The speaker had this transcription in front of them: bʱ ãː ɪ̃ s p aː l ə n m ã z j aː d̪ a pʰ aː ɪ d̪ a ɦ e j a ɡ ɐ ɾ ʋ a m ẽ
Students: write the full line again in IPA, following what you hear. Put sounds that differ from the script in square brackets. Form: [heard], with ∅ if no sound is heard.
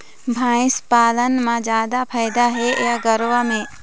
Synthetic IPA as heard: bʱ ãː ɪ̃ s p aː l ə n m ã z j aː d̪ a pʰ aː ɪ d̪ a ɦ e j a ɡ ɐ ɾ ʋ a m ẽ